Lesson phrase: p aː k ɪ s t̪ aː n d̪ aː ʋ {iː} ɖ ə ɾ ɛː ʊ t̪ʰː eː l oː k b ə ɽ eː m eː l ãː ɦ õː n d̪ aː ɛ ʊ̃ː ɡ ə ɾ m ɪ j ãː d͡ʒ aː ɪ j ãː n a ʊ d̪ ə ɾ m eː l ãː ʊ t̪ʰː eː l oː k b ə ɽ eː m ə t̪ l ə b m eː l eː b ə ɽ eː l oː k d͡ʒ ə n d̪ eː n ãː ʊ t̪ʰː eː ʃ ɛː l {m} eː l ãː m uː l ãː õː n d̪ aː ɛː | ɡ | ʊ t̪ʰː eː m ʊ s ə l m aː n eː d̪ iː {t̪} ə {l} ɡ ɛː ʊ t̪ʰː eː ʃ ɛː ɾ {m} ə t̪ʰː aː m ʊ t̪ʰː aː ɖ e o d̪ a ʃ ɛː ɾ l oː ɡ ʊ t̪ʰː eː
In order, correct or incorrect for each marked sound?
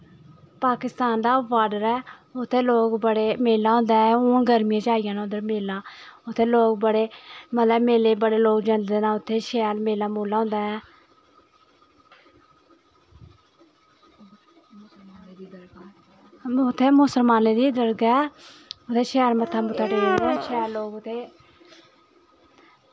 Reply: incorrect: aː, correct, incorrect: d̪, incorrect: ɾ, correct

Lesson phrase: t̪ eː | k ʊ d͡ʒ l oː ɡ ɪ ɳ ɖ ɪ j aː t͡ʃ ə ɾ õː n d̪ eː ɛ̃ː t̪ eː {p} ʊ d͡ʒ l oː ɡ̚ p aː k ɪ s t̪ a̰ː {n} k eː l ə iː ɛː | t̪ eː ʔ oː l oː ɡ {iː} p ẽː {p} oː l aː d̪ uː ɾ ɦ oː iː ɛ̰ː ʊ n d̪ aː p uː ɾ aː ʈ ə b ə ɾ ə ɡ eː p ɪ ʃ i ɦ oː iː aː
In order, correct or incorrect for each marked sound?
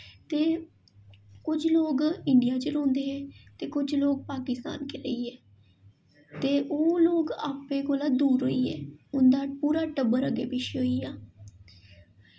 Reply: incorrect: k, correct, incorrect: aː, incorrect: k

